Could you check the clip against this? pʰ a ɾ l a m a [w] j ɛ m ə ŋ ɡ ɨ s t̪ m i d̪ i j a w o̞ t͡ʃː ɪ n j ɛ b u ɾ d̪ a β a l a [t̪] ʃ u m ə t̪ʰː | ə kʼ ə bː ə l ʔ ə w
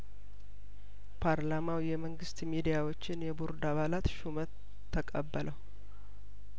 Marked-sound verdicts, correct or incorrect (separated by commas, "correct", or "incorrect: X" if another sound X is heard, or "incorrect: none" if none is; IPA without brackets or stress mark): correct, correct